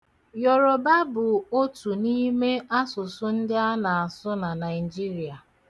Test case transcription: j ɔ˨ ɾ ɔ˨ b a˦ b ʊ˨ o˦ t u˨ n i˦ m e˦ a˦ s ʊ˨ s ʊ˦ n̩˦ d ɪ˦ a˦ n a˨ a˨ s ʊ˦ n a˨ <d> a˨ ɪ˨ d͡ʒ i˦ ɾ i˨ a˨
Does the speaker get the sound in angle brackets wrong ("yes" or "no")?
yes